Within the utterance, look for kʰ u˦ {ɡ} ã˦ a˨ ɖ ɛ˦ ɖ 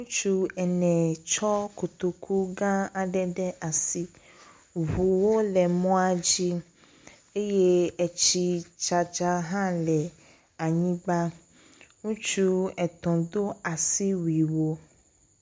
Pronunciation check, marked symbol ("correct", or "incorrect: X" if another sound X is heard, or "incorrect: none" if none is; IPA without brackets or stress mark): correct